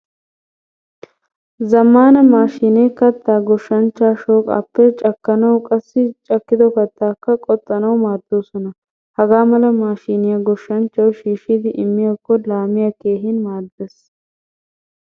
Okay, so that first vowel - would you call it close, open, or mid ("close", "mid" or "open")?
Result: open